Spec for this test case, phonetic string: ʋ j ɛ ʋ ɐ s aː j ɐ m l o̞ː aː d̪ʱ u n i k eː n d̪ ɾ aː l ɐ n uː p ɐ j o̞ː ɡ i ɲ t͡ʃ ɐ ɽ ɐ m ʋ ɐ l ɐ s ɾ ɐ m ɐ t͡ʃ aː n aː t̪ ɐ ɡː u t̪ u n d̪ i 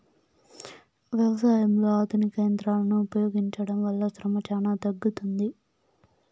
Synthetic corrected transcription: ʋ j ɛ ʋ ɐ s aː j ɐ m l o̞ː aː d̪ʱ u n i k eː n d̪ ɾ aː l ɐ n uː p ɐ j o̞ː ɡ i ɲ t͡ʃ ɐ ɽ ɐ m ʋ ɐ lː ɐ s ɾ ɐ m ɐ t͡ʃ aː n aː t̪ ɐ ɡː u t̪ u n d̪ i

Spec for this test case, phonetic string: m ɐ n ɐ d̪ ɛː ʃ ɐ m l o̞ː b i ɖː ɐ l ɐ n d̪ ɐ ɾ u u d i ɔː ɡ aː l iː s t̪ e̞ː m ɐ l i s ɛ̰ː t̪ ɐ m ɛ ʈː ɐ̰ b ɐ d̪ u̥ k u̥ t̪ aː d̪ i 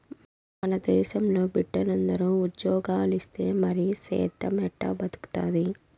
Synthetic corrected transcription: m ɐ n ɐ d̪ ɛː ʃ ɐ m l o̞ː b i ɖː ɐ l ɐ n d̪ ɐ ɾ u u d j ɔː ɡ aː l i s t̪ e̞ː m ɐ ɾ i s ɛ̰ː t̪ ɐ m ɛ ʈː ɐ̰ b ɐ d̪ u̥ k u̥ t̪ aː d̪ i

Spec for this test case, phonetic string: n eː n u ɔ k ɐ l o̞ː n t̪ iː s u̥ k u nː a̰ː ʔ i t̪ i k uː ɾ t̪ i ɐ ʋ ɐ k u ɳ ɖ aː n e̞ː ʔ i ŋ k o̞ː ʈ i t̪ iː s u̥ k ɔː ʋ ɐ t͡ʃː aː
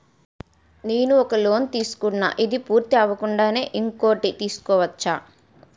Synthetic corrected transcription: n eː n u ɔ k ɐ l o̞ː n t̪ iː s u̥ k u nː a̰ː ʔ i d̪ i p uː ɾ t̪ i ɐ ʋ ɐ k u ɳ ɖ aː n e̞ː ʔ i ŋ k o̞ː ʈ i t̪ iː s u̥ k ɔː ʋ ɐ t͡ʃː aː

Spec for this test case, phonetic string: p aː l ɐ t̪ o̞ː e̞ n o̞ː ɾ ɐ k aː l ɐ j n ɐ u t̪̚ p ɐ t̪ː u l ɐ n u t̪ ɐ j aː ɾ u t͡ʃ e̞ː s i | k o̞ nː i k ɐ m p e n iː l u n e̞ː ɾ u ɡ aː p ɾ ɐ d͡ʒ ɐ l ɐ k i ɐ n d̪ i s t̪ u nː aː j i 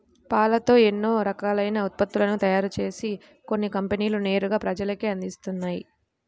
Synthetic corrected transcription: p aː l ɐ t̪ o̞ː e̞ nː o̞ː ɾ ɐ k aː l ɐ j n ɐ u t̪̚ p ɐ t̪ː u l ɐ n u t̪ ɐ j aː ɾ u t͡ʃ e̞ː s i | k o̞ nː i k ɐ m p e n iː l u n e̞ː ɾ u ɡ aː p ɾ ɐ d͡ʒ ɐ l ɐ k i ɐ n d̪ i s t̪ u nː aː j i

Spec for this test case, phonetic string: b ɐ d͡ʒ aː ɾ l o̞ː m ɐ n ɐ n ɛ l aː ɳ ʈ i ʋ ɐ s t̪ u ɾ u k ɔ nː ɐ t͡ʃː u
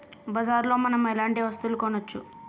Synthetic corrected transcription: b ɐ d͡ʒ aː ɾ l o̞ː m ɐ n ɐ m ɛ l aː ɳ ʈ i ʋ ɐ s t̪ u l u k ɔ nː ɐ t͡ʃː u

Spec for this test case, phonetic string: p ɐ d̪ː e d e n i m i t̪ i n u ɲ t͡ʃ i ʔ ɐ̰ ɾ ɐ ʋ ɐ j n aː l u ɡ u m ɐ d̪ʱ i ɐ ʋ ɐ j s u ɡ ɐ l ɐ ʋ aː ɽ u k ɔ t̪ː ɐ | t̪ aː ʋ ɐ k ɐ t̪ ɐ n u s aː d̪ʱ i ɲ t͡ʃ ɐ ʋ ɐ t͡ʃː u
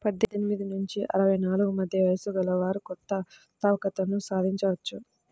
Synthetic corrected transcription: p ɐ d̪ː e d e n i m i d̪ i n u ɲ t͡ʃ i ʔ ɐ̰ ɾ ɐ ʋ ɐ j n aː l u ɡ u m ɐ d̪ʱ j ɐ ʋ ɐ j s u ɡ ɐ l ɐ ʋ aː ɾ u k ɔ t̪ː ɐ | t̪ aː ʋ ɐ k ɐ t̪ ɐ n u s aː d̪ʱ i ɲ t͡ʃ ɐ ʋ ɐ t͡ʃː u

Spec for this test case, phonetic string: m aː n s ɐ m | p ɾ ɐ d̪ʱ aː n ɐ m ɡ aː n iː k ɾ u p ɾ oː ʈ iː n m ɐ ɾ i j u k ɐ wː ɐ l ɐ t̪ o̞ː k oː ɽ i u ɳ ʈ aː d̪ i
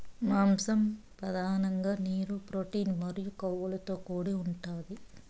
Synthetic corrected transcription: m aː m s ɐ m | p ɾ ɐ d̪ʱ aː n ɐ ŋ ɡ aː n iː ɾ u p ɾ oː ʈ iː n m ɐ ɾ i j u k ɐ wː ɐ l ɐ t̪ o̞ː k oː ɽ i u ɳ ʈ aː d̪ i

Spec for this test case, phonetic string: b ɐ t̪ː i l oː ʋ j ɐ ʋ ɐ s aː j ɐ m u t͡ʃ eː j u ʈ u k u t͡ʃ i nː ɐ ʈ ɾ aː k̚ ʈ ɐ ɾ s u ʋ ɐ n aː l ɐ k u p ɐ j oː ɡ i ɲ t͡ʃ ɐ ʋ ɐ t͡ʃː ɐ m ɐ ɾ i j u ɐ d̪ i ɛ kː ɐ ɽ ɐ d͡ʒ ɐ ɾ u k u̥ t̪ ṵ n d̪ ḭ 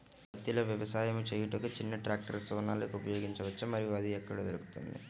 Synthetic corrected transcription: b ɐ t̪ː i l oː ʋ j ɐ ʋ ɐ s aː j ɐ m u t͡ʃ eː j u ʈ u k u t͡ʃ i nː ɐ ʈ ɾ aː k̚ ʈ ɐ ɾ s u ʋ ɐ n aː l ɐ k u p ɐ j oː ɡ i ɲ t͡ʃ ɐ ʋ ɐ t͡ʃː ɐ m ɐ ɾ i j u ɐ d̪ i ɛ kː ɐ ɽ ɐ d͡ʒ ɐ ɾ u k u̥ t̪ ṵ n d̪ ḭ

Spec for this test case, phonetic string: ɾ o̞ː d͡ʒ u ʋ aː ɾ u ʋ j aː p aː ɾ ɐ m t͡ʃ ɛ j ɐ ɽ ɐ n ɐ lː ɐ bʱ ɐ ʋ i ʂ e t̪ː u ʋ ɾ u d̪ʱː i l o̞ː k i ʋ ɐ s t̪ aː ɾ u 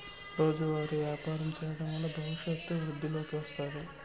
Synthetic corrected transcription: ɾ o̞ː d͡ʒ u ʋ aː ɾ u ʋ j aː p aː ɾ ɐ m t͡ʃ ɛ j ɐ ɽ ɐ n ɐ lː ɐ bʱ ɐ ʋ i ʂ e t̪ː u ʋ ɾ u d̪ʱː i l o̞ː k i ʋ ɐ s t̪ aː ɾ u

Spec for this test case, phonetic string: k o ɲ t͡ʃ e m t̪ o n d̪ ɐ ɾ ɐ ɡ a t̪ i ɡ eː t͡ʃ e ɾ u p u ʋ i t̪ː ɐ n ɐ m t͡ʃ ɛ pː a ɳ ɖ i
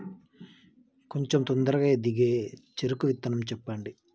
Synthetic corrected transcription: k o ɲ t͡ʃ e m t̪ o n d̪ ɐ ɾ ɐ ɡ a d̪ i ɡ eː t͡ʃ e ɾ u k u ʋ i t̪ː ɐ n ɐ m t͡ʃ ɛ pː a ɳ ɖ i

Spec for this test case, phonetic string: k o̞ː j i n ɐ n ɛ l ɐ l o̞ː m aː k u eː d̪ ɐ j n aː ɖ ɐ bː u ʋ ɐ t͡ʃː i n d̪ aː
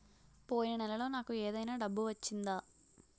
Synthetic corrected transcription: p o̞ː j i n ɐ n ɛ l ɐ l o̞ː n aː k u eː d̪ ɐ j n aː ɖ ɐ bː u ʋ ɐ t͡ʃː i n d̪ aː

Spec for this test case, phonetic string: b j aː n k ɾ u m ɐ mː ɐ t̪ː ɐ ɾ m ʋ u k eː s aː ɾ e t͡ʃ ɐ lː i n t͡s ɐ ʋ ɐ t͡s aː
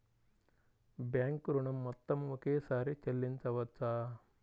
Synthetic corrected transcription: b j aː ŋ k ɾ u ɳ ɐ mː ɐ t̪ː ɐ m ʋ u k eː s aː ɾ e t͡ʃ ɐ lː i n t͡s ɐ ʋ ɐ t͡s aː

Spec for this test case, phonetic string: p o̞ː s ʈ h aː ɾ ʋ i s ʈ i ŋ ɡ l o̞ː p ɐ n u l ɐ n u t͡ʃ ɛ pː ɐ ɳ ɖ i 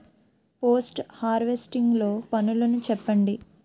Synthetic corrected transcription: p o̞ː s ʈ h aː ɾ ʋ e s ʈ i ŋ ɡ l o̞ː p ɐ n u l ɐ n u t͡ʃ ɛ pː ɐ ɳ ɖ i

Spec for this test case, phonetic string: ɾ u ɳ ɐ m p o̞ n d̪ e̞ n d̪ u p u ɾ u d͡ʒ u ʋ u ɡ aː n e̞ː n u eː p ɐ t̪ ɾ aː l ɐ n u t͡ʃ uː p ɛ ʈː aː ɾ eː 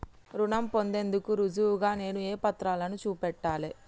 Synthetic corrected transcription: ɾ u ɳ ɐ m p o̞ n d̪ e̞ n d̪ u k u ɾ u d͡ʒ u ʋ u ɡ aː n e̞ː n u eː p ɐ t̪ ɾ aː l ɐ n u t͡ʃ uː p ɛ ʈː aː l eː

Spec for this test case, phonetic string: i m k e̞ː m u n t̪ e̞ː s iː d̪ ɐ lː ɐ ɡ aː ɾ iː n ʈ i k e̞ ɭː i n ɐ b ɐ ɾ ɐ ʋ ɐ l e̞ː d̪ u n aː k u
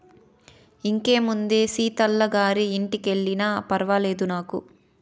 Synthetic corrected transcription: i ŋ k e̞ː m u n d̪ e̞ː s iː t̪ ɐ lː ɐ ɡ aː ɾ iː ɳ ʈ i k e̞ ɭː i n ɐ p ɐ ɾ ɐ ʋ ɐ l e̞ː d̪ u n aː k u

